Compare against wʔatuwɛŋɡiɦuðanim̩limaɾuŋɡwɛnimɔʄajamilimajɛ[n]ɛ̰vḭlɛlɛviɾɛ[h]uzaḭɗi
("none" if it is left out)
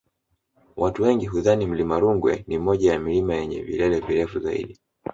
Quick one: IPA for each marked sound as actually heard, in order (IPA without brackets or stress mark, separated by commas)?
ɲ, f